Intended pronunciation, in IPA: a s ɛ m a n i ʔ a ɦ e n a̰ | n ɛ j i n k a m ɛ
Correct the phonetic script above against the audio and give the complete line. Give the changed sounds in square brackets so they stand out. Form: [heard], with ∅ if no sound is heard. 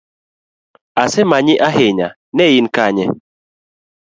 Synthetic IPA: a s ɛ m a [ɲ] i ʔ a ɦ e [ɲ] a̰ | n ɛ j i n k a [ɲ] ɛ